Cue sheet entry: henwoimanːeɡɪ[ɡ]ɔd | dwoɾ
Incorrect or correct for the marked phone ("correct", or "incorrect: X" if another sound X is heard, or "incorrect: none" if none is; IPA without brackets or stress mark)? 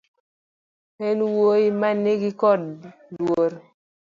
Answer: incorrect: k